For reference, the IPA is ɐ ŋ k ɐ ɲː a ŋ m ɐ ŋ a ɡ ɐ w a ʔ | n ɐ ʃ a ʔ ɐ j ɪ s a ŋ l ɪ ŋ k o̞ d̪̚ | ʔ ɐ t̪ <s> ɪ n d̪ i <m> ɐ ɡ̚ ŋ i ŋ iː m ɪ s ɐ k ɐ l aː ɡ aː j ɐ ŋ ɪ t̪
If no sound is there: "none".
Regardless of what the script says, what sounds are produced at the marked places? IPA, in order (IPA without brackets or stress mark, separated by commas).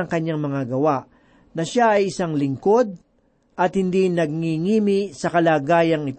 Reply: h, n